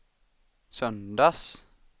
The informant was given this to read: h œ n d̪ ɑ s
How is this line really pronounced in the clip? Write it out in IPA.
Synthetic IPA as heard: s œ n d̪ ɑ s